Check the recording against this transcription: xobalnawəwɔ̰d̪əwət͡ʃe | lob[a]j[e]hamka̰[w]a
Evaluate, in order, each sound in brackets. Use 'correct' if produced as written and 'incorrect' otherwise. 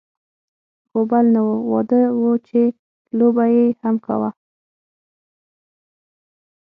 correct, correct, correct

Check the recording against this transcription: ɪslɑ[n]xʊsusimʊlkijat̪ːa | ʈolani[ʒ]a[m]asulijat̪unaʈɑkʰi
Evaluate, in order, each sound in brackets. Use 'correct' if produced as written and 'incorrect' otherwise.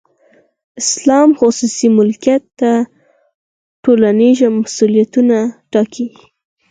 incorrect: m, correct, correct

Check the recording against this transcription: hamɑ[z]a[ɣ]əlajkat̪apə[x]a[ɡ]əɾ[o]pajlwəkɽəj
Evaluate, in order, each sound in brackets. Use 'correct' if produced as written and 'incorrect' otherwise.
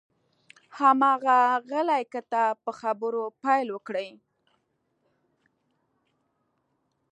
incorrect: ɣ, correct, correct, incorrect: b, correct

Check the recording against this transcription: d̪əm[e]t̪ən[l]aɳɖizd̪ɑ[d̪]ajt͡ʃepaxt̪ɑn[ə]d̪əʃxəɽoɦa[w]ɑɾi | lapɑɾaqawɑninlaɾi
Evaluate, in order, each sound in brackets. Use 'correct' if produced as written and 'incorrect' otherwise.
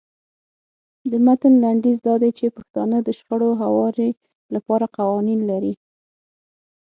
incorrect: a, correct, correct, correct, correct

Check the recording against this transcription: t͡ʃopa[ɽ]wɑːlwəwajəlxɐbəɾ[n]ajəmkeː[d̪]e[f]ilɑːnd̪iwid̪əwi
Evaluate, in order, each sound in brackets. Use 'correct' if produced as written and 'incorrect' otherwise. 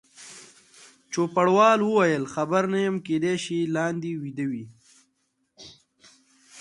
correct, correct, correct, incorrect: ʃ

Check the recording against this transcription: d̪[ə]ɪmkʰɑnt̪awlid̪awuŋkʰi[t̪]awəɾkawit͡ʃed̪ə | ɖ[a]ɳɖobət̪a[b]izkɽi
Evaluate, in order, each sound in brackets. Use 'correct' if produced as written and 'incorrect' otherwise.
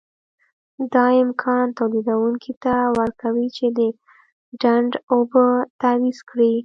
incorrect: ɑ, correct, correct, incorrect: w

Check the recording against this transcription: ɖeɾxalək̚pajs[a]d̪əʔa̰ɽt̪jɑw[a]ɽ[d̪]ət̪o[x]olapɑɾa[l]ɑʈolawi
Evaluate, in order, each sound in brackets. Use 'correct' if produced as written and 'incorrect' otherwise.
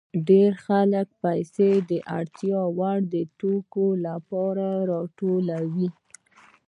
incorrect: e, correct, correct, incorrect: k, incorrect: ɾ

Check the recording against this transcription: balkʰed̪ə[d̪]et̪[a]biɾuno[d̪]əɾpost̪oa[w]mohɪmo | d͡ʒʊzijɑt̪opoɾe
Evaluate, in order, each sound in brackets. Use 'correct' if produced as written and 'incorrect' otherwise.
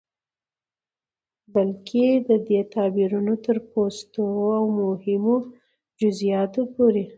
correct, incorrect: ɑ, incorrect: t̪, correct

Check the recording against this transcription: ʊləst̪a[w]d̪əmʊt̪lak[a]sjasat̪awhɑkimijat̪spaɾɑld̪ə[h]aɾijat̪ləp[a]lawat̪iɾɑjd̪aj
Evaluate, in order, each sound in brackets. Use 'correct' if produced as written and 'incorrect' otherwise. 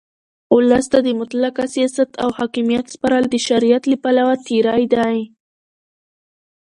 incorrect: none, correct, incorrect: ʃ, correct

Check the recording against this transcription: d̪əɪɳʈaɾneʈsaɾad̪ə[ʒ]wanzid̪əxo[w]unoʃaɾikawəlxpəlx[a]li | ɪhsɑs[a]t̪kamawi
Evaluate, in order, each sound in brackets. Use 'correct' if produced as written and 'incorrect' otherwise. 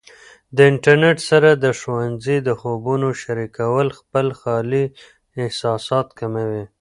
incorrect: ʃ, incorrect: b, incorrect: ɑ, incorrect: ɑ

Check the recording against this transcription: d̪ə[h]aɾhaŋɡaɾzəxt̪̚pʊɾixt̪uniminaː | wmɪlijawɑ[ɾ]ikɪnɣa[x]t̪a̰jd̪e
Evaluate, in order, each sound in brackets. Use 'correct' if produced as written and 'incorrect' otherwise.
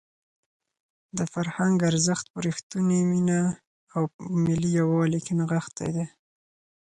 incorrect: f, incorrect: l, correct

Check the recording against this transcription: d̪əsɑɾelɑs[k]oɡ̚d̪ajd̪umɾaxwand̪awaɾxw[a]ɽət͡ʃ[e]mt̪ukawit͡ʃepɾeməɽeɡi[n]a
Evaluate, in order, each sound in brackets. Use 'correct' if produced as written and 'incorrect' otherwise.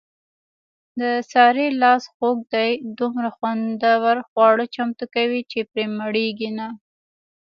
incorrect: x, incorrect: ɑ, incorrect: a, correct

